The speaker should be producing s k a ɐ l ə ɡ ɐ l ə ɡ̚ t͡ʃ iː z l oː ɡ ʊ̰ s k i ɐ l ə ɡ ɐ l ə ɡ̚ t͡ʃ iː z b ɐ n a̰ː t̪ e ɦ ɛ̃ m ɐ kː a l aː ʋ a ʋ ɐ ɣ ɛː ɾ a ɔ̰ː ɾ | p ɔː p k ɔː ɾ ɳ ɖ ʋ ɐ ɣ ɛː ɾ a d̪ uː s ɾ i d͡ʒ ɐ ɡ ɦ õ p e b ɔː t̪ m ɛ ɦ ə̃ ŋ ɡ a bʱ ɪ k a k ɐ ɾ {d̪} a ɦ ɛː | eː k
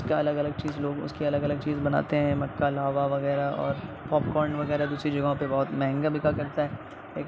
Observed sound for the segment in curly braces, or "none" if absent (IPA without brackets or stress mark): t̪